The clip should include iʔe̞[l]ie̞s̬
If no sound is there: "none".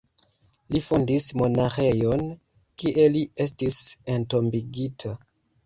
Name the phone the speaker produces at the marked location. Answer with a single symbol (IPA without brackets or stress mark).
l